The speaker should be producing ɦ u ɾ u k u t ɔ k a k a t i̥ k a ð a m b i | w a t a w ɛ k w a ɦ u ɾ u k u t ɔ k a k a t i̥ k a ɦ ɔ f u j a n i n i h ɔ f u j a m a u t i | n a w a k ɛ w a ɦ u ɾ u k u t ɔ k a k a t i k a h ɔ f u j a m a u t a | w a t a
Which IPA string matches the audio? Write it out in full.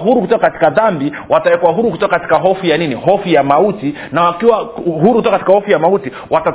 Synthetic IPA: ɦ u ɾ u k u t ɔ k a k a t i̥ k a ð a m b i | w a t a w ɛ k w a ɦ u ɾ u k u t ɔ k a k a t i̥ k a ɦ ɔ f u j a n i n i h ɔ f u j a m a u t i | n a w a k i w a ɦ u ɾ u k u t ɔ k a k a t i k a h ɔ f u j a m a u t i | w a t a